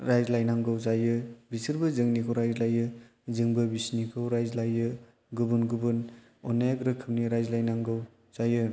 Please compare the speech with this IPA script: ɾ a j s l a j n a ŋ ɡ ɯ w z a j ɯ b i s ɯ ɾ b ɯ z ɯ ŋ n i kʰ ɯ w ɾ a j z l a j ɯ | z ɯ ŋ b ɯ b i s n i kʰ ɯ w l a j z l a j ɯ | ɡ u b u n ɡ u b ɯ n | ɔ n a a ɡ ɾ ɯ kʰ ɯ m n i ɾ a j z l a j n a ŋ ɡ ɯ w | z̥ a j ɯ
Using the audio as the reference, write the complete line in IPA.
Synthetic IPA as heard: ɾ a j z l a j n a ŋ ɡ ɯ w z a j ɯ b i s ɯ ɾ b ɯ z ɯ ŋ n i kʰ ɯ w ɾ a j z l a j ɯ | z ɯ ŋ b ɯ b i s n i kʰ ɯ w ɾ a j z l a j ɯ | ɡ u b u n ɡ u b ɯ n | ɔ n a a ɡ ɾ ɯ kʰ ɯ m n i ɾ a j z l a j n a ŋ ɡ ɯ w | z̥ a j ɯ